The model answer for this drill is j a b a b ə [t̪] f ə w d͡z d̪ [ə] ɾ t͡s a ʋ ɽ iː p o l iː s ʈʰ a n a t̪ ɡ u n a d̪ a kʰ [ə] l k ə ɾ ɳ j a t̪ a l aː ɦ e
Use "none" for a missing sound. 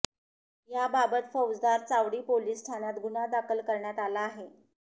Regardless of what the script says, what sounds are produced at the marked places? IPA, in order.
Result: t̪, a, ə

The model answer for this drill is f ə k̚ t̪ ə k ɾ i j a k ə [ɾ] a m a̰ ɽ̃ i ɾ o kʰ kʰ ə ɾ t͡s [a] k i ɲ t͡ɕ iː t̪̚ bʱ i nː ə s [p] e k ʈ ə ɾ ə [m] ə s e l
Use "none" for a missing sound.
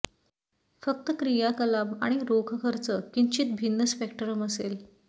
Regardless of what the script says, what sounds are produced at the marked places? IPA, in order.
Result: l, ə, p, m

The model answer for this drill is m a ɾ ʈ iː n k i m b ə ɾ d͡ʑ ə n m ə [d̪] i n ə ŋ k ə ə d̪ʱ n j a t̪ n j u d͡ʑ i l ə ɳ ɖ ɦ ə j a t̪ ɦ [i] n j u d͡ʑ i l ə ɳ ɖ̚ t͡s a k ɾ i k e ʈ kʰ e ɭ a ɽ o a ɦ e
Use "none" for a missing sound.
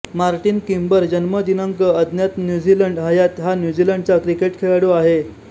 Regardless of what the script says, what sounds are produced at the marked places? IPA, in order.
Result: d̪, a

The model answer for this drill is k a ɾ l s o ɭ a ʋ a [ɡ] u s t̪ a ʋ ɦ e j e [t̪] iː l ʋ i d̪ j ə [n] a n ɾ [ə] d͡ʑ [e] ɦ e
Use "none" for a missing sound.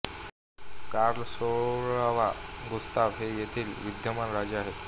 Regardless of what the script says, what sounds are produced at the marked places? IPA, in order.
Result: ɡ, t̪ʰ, m, a, a

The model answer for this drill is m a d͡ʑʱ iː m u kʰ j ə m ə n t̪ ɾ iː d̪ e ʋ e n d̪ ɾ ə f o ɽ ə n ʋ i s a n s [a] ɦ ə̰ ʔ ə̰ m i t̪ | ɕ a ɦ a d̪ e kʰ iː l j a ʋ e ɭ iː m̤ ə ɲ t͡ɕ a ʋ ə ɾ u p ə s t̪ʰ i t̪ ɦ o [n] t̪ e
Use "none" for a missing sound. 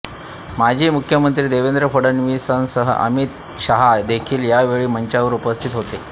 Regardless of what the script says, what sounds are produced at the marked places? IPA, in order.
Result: ə, none

